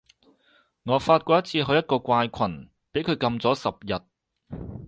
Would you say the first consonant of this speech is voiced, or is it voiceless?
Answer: voiced